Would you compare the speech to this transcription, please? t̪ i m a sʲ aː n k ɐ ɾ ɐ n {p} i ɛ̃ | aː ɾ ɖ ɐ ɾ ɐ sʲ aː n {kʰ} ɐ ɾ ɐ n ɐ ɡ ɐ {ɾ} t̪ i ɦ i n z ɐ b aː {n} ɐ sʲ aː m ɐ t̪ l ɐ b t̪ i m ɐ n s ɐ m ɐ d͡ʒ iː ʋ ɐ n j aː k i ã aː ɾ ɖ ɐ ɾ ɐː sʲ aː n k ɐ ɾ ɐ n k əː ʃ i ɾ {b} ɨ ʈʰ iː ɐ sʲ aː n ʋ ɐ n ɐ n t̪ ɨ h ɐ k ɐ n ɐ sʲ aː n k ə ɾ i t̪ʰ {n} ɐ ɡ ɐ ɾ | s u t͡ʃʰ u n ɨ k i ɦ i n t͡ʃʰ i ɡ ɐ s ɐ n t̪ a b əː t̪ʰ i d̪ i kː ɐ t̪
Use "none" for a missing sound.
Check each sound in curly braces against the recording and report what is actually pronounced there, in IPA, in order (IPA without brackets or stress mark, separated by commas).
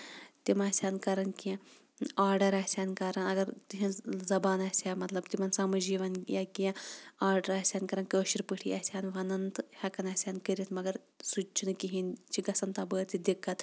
k, k, ɾ, n, p, m